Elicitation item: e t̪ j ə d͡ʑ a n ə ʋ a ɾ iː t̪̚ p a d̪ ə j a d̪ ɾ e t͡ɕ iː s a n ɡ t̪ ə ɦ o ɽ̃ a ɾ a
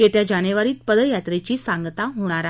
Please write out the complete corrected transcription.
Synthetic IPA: e t̪ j a d͡ʑ a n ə ʋ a ɾ iː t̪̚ p ə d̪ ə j a t̪ ɾ e t͡ɕ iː s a ŋ ɡ t̪ a ɦ o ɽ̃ a ɾ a